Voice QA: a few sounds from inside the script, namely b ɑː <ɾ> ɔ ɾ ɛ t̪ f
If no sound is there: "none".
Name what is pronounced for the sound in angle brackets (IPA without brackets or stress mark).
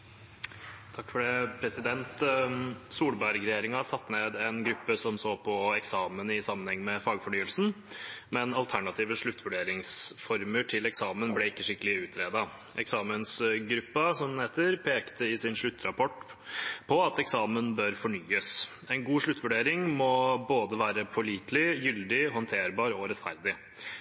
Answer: ɾ